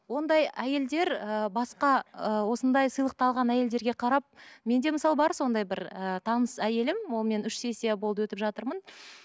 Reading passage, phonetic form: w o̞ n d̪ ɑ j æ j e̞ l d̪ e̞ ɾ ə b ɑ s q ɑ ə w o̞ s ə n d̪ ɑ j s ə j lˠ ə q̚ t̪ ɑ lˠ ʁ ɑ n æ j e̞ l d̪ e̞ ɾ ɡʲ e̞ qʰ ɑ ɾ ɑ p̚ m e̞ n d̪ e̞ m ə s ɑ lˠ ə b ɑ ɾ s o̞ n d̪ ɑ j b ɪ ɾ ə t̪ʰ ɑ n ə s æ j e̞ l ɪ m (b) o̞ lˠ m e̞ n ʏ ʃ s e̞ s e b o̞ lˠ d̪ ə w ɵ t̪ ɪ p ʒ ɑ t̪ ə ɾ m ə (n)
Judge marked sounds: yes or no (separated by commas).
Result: no, yes